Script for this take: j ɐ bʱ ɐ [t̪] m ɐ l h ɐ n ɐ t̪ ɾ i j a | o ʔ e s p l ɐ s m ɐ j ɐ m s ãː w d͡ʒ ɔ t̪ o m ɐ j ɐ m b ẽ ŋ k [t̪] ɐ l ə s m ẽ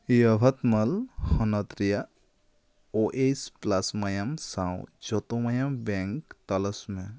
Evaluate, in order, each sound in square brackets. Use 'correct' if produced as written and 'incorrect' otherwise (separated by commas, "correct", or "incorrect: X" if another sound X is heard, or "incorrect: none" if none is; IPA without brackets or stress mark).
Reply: correct, correct